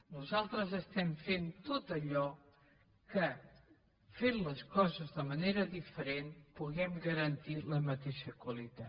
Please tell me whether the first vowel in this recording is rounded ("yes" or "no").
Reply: yes